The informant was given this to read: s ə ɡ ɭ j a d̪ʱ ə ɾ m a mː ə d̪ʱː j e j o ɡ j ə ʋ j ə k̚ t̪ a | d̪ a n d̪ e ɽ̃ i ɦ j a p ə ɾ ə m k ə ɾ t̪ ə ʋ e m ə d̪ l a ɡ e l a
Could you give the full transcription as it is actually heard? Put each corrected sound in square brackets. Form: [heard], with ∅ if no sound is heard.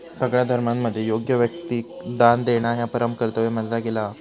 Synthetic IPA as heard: s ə ɡ ɭ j a d̪ʱ ə ɾ m a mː ə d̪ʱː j e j o ɡ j ə ʋ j ə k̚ t̪ [i] | d̪ a n d̪ e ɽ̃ [a] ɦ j a p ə ɾ ə m k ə ɾ t̪ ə ʋ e m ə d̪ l a ɡ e l a